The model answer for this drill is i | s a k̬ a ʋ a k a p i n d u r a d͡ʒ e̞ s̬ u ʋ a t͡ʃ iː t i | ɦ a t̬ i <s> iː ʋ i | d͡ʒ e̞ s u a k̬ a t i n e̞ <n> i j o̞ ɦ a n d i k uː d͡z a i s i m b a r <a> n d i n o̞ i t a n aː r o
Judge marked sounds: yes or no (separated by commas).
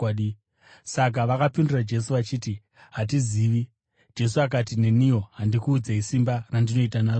no, yes, yes